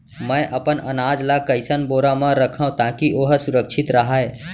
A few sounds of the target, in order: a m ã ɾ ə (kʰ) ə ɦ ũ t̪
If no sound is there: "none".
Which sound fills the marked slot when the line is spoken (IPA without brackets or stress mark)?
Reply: kʰ